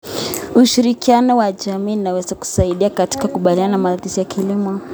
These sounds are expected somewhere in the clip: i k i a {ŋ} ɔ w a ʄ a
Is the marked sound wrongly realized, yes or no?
yes